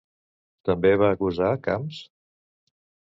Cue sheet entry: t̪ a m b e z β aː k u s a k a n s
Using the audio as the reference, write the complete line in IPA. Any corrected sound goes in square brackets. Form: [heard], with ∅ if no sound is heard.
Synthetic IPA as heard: t̪ [ə] m b e [∅] β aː k u [z] a k a [m] s